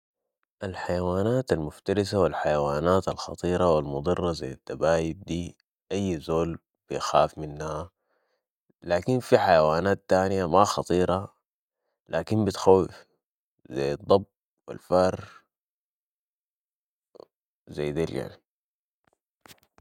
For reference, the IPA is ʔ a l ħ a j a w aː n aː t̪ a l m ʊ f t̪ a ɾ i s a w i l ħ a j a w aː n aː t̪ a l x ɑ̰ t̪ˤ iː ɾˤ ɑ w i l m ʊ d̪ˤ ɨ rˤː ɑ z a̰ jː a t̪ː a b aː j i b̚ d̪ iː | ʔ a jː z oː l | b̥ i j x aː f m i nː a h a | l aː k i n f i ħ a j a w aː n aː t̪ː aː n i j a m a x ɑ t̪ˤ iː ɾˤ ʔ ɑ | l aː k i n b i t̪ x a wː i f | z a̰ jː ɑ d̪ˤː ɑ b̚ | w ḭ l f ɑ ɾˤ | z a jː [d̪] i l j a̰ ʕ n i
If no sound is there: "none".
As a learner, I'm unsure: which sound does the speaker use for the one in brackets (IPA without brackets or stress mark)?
d̪